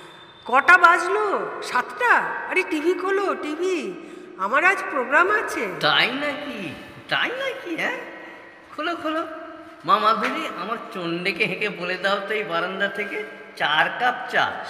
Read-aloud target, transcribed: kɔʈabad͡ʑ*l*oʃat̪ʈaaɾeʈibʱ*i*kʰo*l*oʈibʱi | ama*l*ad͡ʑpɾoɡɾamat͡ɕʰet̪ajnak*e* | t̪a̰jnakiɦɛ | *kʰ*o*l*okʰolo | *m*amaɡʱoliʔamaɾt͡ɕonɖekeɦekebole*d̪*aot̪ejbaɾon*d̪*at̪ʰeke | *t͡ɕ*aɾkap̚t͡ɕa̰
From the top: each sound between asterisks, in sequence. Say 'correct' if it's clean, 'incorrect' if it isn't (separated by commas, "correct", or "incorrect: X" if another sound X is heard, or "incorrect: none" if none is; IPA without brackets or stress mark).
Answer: correct, correct, correct, incorrect: ɾ, incorrect: i, correct, correct, correct, correct, correct, correct